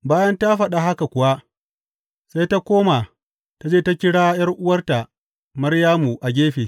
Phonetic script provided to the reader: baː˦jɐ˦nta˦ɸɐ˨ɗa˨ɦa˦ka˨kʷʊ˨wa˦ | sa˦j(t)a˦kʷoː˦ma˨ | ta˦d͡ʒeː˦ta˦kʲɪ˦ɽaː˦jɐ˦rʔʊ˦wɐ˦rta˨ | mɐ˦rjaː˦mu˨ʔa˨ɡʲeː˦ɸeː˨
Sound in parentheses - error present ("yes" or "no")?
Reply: no